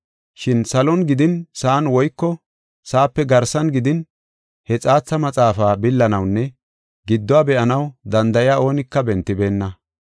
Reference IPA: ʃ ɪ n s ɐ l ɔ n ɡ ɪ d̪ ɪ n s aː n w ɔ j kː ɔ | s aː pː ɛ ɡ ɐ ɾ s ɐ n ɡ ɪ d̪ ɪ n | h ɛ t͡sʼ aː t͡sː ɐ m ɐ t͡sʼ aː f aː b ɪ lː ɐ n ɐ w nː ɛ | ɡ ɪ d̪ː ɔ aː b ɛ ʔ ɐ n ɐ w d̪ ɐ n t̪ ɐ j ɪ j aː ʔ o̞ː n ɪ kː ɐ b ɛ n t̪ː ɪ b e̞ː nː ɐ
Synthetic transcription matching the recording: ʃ ɪ n s ɐ l ɔ n ɡ ɪ d̪ ɪ n s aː n w ɔ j kː ɔ | s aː pː ɛ ɡ ɐ ɾ s ɐ n ɡ ɪ d̪ ɪ n | h ɛ t͡sʼ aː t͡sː ɐ m ɐ t͡sʼ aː f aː b ɪ lː ɐ n ɐ w nː ɛ | ɡ ɪ d̪ː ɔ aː b ɛ ʔ ɐ n ɐ w d̪ ɐ n d̪ ɐ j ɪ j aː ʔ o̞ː n ɪ kː ɐ b ɛ n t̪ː ɪ b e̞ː nː ɐ